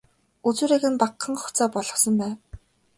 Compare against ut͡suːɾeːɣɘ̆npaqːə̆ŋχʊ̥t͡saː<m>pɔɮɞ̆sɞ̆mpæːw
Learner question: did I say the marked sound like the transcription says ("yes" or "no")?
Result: no